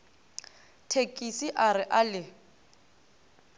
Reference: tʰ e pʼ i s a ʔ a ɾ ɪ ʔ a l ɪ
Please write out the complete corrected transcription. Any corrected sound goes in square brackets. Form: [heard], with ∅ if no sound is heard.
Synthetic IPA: tʰ e [kʼ] i s [i] ʔ a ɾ ɪ ʔ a l ɪ